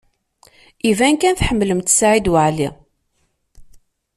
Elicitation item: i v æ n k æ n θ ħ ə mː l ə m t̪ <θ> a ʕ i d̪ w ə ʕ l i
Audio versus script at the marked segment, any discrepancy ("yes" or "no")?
yes